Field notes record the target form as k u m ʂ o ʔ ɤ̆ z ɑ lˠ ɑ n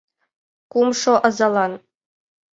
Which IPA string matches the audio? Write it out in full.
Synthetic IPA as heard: k u m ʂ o ʔ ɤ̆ z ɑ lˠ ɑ n